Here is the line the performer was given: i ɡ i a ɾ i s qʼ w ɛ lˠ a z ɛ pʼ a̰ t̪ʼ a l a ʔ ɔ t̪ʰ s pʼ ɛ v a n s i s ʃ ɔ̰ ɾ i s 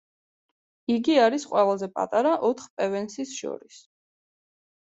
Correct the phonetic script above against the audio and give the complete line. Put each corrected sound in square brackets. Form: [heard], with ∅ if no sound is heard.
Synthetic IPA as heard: i ɡ i a ɾ i s qʼ w ɛ lˠ a z ɛ pʼ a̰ t̪ʼ a [ɾ] a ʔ ɔ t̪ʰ [χ] pʼ ɛ v [ɛ] n s i s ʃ ɔ̰ ɾ i s